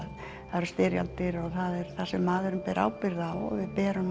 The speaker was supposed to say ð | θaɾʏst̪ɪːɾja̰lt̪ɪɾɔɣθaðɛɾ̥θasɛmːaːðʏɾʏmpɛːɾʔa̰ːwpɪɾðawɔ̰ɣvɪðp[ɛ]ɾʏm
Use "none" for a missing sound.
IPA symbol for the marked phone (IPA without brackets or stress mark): ɛː